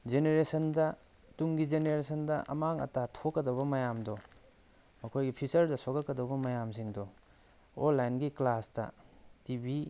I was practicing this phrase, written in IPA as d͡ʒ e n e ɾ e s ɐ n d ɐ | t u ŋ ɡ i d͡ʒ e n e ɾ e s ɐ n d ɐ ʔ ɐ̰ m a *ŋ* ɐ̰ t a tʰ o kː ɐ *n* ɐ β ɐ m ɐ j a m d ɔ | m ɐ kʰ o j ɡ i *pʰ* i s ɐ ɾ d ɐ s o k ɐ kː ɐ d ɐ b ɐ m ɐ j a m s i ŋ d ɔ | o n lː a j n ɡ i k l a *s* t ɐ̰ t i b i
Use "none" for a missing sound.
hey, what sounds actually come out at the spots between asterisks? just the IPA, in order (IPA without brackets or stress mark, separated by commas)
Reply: ŋ, d, pʰ, s